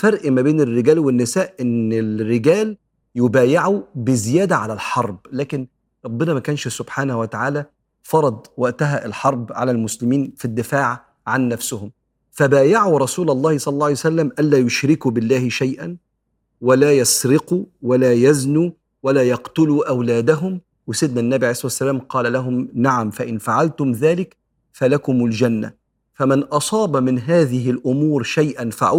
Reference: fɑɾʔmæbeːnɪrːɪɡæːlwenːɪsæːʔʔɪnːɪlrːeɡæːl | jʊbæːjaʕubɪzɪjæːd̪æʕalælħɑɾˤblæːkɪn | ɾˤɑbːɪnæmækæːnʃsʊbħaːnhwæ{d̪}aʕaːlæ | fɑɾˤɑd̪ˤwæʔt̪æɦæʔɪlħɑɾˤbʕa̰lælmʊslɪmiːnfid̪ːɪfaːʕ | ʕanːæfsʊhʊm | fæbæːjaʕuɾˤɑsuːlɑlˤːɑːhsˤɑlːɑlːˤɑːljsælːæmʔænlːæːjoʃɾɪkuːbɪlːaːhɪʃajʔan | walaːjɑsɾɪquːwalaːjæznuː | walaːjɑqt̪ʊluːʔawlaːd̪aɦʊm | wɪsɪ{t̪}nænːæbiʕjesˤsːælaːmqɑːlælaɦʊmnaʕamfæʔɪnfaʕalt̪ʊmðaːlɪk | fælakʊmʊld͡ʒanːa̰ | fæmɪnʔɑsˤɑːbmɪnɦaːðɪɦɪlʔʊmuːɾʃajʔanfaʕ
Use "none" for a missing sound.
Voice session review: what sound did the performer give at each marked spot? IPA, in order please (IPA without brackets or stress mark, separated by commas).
t̪, d̪